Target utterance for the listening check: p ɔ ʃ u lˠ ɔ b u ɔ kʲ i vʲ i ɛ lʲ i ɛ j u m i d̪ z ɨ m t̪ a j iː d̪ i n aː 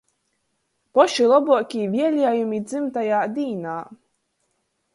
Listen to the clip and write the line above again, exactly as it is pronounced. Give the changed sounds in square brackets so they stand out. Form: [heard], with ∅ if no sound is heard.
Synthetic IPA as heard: p ɔ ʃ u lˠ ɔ b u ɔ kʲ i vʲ i ɛ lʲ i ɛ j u m i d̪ z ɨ m t̪ a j [aː] d̪ [iː] n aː